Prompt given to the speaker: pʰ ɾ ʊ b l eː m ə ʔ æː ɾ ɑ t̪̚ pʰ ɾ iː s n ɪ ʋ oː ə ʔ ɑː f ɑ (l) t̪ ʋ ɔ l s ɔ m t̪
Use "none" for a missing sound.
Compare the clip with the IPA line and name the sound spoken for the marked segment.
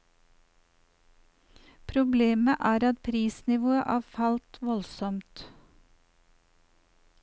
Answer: l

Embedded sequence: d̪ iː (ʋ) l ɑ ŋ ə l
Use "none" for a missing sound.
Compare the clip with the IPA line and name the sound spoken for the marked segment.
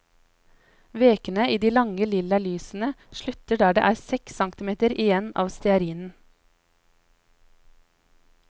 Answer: none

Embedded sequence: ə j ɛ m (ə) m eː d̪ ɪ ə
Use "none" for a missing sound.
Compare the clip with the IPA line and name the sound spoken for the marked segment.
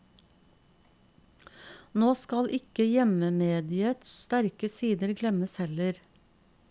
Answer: ə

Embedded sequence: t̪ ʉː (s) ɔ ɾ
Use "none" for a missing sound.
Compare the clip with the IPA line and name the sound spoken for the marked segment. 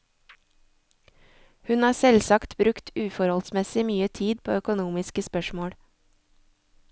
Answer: f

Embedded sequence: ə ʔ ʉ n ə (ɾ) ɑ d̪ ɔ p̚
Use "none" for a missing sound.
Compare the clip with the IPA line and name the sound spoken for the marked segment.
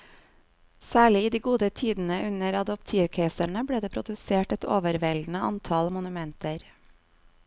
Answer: ɾ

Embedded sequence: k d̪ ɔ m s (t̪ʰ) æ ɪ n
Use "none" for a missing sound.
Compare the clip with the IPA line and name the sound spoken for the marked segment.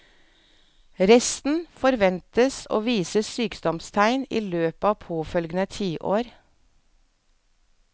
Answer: t̪ʰ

